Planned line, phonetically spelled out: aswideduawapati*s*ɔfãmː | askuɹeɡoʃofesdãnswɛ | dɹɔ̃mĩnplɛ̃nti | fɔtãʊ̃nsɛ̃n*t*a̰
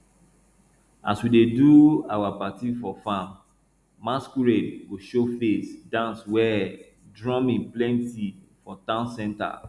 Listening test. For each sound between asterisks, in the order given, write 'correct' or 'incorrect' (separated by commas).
incorrect, correct